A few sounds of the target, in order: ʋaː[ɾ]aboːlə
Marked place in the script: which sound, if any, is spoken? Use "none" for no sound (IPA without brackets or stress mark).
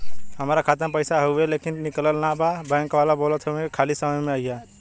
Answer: l